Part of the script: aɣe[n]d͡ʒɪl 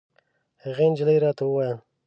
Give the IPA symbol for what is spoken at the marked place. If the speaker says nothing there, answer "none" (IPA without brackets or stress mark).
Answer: n